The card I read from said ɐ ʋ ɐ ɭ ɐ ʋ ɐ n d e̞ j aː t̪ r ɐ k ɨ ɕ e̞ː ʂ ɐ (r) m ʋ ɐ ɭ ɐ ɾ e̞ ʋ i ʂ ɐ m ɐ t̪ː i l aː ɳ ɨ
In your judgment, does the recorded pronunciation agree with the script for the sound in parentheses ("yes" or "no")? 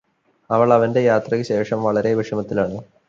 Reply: no